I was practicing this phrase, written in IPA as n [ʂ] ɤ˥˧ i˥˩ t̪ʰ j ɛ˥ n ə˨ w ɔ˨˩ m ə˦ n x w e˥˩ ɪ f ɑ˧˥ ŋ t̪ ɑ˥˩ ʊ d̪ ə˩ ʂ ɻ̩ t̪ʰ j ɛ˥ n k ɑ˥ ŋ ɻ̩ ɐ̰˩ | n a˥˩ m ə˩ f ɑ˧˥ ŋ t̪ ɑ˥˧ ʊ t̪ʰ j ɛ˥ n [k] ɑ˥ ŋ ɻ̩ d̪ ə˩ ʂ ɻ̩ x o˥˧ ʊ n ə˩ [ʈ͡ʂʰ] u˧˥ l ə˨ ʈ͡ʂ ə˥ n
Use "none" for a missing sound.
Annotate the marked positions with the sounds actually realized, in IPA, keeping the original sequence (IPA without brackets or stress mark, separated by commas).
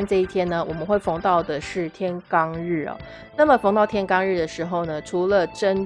ʈ͡ʂ, k, ʈ͡ʂʰ